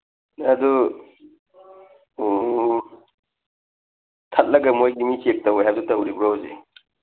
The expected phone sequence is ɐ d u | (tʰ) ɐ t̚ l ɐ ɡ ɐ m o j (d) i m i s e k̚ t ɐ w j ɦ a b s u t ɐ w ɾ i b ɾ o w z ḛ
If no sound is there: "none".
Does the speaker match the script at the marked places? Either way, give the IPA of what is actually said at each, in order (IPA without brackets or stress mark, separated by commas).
tʰ, ɡ